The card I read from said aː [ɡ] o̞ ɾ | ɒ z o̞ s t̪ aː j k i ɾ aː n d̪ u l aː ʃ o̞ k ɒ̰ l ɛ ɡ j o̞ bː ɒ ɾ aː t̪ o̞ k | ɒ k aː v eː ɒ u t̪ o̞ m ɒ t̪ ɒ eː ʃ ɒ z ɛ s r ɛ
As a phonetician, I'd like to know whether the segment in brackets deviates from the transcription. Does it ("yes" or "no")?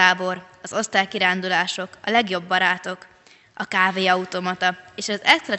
yes